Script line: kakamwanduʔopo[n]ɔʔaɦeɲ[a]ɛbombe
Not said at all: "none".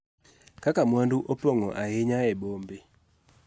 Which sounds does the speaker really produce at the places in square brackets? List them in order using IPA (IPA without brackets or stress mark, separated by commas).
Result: ŋ, a